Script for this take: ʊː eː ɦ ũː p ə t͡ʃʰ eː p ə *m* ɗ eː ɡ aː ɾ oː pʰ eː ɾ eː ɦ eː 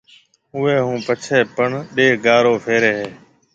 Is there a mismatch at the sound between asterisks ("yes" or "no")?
yes